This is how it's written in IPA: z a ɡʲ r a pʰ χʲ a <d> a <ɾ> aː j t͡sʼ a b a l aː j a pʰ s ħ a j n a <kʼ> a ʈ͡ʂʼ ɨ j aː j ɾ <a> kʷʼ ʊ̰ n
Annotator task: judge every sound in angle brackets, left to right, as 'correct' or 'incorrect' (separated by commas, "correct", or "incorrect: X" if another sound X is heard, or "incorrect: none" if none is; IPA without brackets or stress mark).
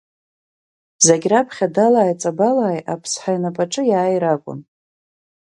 correct, incorrect: l, incorrect: pʼ, correct